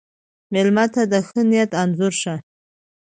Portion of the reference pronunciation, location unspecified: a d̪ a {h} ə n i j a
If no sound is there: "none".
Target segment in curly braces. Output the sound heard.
x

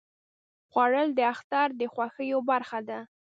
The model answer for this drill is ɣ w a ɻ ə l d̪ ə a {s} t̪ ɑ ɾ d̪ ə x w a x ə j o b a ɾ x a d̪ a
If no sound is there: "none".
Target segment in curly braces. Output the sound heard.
x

